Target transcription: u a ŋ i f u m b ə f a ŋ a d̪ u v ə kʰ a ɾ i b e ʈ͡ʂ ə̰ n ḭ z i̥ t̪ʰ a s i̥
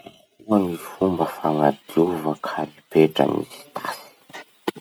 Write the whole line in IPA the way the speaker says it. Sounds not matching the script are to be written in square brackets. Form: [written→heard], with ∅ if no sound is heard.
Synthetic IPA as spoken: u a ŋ i f u m b ə f a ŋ a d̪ u v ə kʰ a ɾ i [b→p] e ʈ͡ʂ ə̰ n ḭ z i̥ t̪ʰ a s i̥